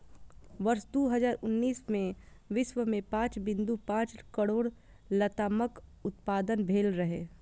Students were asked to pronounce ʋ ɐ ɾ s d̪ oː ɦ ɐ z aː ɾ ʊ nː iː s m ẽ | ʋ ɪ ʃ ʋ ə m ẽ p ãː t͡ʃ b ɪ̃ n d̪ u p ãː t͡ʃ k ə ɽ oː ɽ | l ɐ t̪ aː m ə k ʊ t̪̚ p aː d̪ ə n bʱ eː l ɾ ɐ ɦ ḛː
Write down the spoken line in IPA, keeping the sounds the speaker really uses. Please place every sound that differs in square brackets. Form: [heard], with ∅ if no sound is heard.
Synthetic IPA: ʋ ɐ ɾ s d̪ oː ɦ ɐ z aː ɾ ʊ nː iː s m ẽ | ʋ ɪ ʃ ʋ ə m ẽ p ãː t͡ʃ b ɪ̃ n d̪ u p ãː t͡ʃ k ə ɽ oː ɽ | l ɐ t̪ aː m ə k ʊ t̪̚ p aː d̪ ə n bʱ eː l ɾ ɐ ɦ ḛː